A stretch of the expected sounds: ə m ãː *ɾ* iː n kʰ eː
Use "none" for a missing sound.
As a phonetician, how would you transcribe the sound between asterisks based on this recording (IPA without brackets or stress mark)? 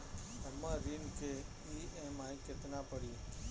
ɾ